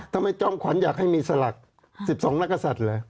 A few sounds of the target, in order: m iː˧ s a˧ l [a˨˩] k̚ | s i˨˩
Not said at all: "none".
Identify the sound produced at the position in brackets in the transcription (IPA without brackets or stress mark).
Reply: a˨˩